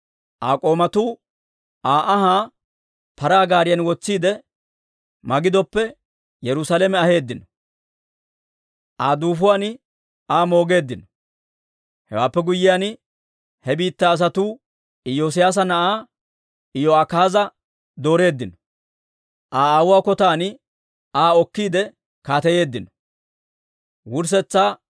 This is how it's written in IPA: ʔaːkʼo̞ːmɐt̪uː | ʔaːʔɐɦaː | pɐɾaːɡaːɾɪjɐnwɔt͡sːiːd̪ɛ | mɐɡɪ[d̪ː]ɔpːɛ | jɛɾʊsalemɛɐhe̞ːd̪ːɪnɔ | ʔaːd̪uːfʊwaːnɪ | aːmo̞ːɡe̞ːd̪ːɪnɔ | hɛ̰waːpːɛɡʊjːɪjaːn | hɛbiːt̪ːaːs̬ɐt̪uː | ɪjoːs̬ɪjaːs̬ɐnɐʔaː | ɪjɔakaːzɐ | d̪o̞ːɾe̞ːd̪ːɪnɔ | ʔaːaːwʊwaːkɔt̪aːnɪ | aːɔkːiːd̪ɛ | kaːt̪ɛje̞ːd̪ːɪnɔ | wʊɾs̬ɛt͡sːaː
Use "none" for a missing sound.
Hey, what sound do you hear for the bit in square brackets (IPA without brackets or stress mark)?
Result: d̪